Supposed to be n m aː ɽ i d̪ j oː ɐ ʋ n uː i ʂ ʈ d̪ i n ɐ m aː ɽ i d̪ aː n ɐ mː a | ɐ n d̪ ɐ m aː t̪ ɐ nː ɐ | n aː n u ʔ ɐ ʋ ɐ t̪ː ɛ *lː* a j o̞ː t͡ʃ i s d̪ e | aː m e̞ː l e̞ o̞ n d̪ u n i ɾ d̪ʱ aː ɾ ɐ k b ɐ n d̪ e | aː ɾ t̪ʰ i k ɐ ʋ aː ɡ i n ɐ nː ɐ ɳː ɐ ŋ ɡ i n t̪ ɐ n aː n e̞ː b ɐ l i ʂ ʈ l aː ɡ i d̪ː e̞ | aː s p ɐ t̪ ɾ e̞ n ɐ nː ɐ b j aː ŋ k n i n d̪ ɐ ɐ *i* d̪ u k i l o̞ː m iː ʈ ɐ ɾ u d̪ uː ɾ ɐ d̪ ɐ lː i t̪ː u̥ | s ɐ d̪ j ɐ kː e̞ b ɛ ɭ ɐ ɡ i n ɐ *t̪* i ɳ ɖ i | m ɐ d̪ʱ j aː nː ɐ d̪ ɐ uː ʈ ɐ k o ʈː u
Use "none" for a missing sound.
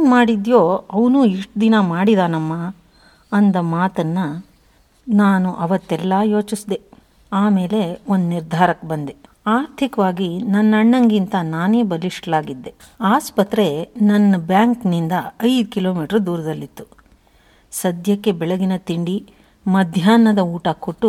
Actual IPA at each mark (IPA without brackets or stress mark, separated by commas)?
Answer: lː, j, t̪